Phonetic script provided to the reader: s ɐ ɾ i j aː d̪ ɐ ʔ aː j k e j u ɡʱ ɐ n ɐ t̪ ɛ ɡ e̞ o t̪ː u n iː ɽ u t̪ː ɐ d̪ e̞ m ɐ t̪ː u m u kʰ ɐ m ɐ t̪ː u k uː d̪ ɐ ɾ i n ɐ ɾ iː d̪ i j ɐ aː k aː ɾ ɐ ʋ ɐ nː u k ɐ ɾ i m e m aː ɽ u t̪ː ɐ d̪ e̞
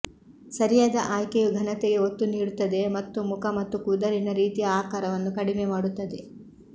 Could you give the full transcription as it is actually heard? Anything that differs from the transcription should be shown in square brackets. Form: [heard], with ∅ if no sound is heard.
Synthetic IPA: s ɐ ɾ i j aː d̪ ɐ ʔ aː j k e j u ɡʱ ɐ n ɐ t̪ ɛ ɡ e̞ o t̪ː u n iː ɽ u t̪ː ɐ d̪ e̞ m ɐ t̪ː u m u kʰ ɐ m ɐ t̪ː u k uː d̪ ɐ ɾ i n ɐ ɾ iː [t̪] i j ɐ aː k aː ɾ ɐ ʋ ɐ nː u k ɐ [ɽ] i m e m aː ɽ u t̪ː ɐ d̪ e̞